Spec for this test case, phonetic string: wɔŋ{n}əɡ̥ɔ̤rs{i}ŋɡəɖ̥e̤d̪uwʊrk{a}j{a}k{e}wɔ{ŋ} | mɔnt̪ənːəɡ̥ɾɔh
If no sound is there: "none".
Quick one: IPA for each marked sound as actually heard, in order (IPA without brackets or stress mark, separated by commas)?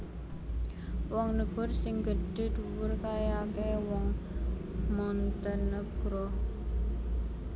n, ɪ, a, a, e, ŋ